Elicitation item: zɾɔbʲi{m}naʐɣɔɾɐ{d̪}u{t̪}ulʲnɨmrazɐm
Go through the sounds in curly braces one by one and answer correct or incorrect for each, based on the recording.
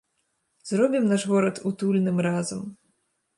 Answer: correct, incorrect, correct

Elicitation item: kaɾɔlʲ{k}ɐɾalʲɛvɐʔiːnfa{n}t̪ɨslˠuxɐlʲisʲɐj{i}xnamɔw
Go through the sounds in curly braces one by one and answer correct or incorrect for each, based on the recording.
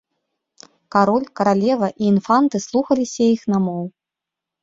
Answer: correct, correct, correct

